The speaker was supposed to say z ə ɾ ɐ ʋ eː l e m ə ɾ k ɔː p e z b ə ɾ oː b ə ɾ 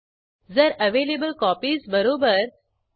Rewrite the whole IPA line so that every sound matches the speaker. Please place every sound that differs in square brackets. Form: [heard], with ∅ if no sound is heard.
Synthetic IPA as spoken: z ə ɾ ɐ ʋ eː l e [b] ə [l] k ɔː p [i] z b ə ɾ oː b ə ɾ